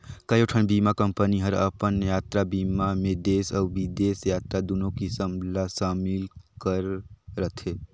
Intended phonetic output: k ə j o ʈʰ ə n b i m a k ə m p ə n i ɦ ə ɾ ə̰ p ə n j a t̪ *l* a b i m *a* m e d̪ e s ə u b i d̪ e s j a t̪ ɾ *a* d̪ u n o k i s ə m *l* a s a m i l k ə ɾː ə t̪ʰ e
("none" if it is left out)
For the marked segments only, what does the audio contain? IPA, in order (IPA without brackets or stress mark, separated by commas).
ɾ, a, a, l